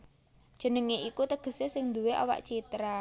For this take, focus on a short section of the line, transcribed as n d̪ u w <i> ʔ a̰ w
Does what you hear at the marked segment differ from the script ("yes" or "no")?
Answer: yes